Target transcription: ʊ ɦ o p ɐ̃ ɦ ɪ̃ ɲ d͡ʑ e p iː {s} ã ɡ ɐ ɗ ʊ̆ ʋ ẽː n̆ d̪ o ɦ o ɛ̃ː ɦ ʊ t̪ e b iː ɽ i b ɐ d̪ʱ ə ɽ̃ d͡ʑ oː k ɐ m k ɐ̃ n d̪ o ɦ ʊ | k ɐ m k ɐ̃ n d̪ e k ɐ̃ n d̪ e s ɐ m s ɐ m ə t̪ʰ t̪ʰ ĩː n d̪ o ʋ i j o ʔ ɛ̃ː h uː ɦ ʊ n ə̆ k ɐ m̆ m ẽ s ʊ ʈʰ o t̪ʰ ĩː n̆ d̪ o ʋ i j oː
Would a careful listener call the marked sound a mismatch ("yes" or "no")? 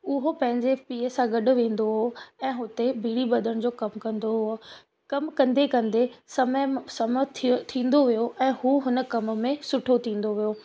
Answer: no